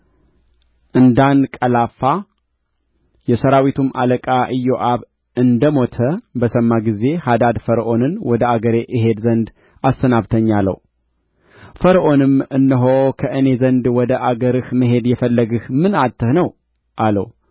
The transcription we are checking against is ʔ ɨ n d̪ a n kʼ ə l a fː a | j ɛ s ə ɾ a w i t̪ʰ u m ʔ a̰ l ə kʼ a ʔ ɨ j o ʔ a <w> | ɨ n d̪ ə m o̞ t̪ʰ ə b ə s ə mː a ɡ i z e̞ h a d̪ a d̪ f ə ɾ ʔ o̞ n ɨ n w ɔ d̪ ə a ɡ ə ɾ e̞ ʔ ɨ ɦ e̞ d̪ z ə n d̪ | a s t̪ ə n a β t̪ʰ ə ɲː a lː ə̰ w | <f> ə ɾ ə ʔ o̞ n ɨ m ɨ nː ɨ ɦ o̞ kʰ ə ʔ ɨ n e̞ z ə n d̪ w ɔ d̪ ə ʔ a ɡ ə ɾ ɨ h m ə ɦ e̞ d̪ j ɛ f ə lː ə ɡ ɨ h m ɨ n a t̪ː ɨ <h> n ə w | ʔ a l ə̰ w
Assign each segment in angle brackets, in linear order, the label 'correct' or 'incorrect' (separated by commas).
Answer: incorrect, correct, correct